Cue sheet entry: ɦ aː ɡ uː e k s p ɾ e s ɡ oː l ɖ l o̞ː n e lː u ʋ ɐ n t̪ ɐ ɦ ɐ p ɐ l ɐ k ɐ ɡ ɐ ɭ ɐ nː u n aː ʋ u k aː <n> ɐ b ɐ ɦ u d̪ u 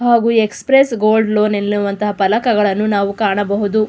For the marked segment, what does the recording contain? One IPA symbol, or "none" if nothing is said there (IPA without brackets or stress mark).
ɳ